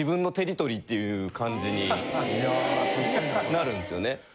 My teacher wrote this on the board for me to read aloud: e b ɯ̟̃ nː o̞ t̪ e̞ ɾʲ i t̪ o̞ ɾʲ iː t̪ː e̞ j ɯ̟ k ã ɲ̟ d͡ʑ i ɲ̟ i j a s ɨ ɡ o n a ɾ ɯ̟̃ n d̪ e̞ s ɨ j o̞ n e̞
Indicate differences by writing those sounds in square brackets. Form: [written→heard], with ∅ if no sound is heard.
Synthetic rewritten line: [e→i] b ɯ̟̃ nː o̞ t̪ e̞ ɾʲ i t̪ o̞ ɾʲ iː t̪ː e̞ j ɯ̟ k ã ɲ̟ d͡ʑ i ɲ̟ i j a s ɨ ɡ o n a ɾ ɯ̟̃ n d̪ e̞ s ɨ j o̞ n e̞